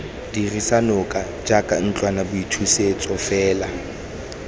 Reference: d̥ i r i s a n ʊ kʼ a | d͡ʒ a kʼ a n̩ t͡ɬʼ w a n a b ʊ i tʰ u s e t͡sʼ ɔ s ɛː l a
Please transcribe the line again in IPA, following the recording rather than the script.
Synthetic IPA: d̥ i r i s a n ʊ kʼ a | d͡ʒ a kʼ a n̩ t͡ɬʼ w a n a b ʊ i tʰ u s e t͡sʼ ɔ f ɛː l a